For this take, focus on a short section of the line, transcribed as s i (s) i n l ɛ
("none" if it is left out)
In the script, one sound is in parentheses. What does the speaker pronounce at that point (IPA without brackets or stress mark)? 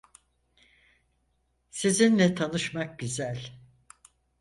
z